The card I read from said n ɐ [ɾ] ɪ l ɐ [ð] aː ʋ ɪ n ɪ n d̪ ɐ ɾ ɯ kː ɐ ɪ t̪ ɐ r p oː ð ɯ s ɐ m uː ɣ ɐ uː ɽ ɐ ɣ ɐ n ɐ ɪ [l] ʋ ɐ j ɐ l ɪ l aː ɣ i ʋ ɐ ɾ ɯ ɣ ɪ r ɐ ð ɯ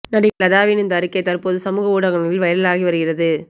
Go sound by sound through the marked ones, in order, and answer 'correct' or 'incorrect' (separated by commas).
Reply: incorrect, correct, correct